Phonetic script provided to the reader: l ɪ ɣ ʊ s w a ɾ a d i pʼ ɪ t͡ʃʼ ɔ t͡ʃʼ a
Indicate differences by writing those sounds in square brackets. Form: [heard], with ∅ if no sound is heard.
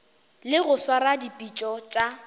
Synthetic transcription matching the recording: l ɪ ɣ ʊ s w a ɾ a d i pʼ [i] t͡ʃʼ ɔ t͡ʃʼ a

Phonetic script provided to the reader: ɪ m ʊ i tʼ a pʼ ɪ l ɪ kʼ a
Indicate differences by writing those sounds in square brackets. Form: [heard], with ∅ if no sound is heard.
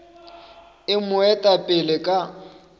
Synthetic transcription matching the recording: ɪ m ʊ [ɛ] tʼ a pʼ ɪ l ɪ kʼ a

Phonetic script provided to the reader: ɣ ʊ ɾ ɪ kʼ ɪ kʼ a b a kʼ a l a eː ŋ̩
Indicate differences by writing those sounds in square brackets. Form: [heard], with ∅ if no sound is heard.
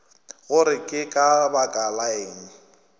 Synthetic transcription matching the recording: ɣ ʊ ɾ ɪ kʼ ɪ kʼ a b a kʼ a l a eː ŋ̩

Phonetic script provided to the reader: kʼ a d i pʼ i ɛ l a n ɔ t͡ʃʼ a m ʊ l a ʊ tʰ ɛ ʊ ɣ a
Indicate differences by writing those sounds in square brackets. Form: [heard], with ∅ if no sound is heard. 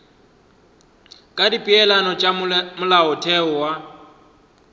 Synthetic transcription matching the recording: kʼ a d i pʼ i ɛ l a n ɔ t͡ʃʼ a m ʊ l a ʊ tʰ ɛ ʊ [w] a

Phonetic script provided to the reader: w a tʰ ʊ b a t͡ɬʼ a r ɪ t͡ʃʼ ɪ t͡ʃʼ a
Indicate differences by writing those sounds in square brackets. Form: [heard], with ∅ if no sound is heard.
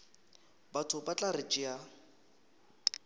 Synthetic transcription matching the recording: [b] a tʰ ʊ b a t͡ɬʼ a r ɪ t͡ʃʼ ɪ [∅] a

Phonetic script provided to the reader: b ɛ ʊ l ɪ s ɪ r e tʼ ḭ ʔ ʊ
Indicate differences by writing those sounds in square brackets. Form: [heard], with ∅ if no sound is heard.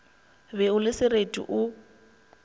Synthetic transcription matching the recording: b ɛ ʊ l ɪ s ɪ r e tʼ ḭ ʔ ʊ

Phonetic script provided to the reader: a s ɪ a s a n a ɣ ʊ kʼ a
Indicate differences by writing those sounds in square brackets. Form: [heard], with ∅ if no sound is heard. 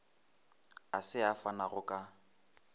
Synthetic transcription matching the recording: a s ɪ a [f] a n a ɣ ʊ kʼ a

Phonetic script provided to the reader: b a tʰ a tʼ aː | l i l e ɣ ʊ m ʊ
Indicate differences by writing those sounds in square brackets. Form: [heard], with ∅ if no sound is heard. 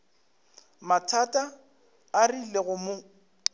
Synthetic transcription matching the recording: [m] a tʰ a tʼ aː | [r] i l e ɣ ʊ m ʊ

